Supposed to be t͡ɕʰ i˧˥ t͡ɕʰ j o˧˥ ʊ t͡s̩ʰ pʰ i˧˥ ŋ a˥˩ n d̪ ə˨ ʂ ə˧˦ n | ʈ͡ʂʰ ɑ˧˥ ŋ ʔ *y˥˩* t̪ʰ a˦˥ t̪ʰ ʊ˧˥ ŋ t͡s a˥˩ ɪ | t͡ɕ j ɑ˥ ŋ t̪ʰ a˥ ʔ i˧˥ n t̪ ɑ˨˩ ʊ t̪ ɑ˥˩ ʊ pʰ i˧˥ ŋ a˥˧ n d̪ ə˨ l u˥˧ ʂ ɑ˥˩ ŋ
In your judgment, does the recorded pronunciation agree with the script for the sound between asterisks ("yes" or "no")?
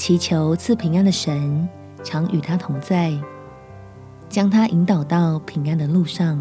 no